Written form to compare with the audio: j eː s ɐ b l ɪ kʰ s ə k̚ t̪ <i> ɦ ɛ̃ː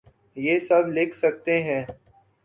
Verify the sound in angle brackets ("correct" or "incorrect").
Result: incorrect